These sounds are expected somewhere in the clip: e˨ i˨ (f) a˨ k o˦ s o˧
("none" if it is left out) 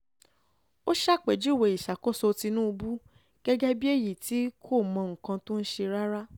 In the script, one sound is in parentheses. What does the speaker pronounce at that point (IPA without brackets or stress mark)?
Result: ʃ